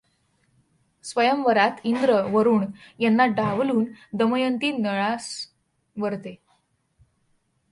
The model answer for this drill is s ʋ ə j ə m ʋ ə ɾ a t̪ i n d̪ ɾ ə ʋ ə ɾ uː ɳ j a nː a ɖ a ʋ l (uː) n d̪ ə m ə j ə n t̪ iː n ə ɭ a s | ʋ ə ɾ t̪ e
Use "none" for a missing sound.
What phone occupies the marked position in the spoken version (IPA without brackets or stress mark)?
uː